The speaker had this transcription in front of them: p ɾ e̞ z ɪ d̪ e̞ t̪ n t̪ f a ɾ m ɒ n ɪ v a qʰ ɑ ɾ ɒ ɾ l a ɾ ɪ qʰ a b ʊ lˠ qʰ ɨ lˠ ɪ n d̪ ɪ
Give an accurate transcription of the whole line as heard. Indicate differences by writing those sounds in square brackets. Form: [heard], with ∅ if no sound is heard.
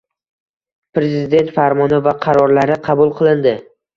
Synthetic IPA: p ɾ e̞ z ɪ d̪ e̞ [∅] n t̪ f a ɾ m ɒ n ɪ v a qʰ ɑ ɾ ɒ ɾ l a ɾ ɪ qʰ [ɑ] b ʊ lˠ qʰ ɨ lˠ ɪ n d̪ ɪ